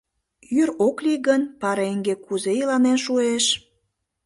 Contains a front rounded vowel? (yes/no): yes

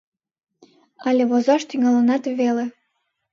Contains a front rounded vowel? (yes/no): yes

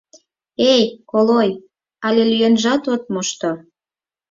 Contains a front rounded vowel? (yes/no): yes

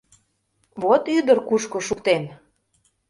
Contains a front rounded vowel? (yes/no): yes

